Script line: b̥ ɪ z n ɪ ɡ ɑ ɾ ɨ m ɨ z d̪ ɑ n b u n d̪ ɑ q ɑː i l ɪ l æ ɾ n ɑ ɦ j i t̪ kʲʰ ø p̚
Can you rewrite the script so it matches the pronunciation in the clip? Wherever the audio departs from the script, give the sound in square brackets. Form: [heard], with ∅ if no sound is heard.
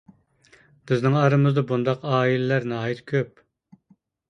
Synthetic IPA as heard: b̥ ɪ z n ɪ [ŋ] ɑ ɾ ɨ m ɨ z d̪ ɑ [∅] b u n d̪ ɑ q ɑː i l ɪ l æ ɾ n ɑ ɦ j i t̪ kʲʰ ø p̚